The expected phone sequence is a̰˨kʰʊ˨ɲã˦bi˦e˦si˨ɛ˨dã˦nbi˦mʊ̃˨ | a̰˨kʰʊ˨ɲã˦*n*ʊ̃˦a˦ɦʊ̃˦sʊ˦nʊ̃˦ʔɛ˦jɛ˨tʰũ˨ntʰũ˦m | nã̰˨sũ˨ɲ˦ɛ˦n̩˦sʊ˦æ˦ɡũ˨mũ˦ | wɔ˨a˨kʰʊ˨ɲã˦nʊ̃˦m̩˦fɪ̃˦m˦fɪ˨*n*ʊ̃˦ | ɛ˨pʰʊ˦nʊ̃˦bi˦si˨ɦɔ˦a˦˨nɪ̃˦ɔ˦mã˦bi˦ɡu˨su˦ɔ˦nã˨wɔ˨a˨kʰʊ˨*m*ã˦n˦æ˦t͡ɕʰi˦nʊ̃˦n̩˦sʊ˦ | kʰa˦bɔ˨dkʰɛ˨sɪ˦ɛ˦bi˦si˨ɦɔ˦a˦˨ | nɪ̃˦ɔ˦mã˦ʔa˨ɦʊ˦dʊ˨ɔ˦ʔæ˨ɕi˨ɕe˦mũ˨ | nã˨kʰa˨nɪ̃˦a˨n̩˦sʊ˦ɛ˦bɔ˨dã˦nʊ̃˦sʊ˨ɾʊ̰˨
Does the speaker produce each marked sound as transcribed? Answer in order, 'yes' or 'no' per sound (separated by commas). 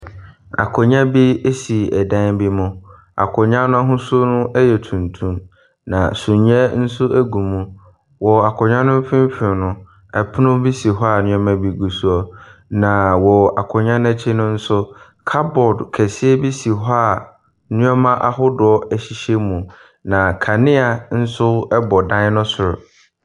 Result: yes, yes, no